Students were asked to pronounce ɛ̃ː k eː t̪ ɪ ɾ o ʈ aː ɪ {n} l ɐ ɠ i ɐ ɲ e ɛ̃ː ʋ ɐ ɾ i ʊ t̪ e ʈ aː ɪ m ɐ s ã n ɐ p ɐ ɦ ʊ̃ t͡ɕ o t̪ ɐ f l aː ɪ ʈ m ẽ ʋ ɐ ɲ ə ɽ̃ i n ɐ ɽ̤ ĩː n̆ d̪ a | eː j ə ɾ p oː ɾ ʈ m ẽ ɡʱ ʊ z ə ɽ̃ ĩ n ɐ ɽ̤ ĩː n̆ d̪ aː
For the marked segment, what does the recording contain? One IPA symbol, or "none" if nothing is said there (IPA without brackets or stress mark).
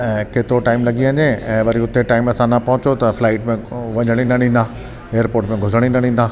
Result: m